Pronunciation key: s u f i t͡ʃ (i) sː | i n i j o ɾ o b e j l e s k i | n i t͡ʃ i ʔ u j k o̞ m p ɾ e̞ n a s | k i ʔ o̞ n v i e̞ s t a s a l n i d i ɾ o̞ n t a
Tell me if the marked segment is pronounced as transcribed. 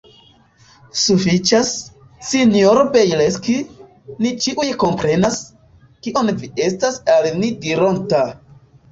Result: no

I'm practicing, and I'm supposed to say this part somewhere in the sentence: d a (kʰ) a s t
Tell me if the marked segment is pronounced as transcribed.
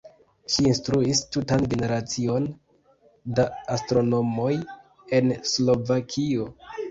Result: no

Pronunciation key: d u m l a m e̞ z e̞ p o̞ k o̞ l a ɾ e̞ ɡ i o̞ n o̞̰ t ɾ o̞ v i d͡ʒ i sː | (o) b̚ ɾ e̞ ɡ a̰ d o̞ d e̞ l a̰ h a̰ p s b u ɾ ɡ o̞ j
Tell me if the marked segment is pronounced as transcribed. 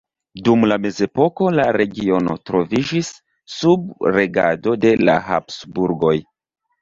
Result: no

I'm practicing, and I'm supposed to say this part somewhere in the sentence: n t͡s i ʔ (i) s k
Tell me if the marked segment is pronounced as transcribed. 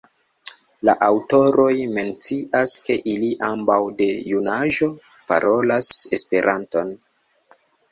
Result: no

